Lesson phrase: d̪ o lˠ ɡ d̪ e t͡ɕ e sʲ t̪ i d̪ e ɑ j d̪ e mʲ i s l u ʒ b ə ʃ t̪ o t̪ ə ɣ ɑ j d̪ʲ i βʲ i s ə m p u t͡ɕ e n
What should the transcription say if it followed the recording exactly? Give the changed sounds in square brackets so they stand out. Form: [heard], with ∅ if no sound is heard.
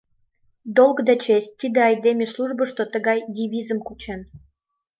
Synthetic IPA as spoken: d̪ o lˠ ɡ d̪ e t͡ɕ e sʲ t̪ i d̪ e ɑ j d̪ e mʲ [e] s l u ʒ b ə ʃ t̪ o t̪ ə ɣ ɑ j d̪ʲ i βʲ i [z] ə m [k] u t͡ɕ e n